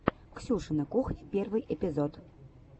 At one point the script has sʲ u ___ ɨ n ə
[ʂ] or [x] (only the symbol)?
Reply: ʂ